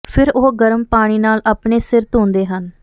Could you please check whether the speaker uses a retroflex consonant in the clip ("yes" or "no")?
yes